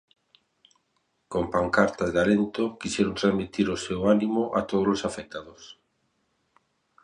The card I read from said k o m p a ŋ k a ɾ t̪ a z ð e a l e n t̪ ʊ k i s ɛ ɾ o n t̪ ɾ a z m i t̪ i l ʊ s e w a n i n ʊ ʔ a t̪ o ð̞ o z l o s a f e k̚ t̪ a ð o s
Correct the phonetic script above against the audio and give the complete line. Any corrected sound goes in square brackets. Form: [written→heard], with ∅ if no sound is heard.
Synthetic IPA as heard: k o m p a ŋ k a ɾ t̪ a z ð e a l e n t̪ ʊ k i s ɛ ɾ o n t̪ ɾ a z m i t̪ i [l→ɾ] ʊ s e w a n i [n→m] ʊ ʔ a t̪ o ð̞ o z l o s a f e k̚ t̪ a ð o s